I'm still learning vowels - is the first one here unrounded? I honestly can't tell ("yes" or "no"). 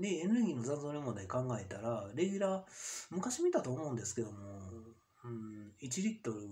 yes